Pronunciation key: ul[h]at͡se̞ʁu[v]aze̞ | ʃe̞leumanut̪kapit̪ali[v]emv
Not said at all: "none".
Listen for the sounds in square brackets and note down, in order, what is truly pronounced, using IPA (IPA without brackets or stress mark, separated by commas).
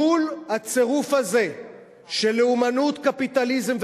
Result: h, f, z